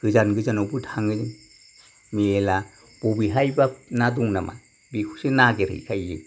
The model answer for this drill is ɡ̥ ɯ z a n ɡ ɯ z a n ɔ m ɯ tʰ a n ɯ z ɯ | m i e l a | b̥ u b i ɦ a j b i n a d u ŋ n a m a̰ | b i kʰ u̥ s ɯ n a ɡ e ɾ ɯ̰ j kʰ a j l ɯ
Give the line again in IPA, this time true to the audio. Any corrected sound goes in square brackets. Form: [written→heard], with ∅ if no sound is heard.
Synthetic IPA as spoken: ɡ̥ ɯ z a n ɡ ɯ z a n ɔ [m→b] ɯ tʰ a [n→ŋ] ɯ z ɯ | m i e l a | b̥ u b i ɦ a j b [i→a] n a d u ŋ n a m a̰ | b i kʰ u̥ s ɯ n a ɡ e ɾ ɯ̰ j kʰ a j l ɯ